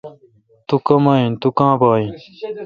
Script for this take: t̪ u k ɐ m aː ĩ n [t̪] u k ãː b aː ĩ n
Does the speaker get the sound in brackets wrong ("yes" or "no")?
no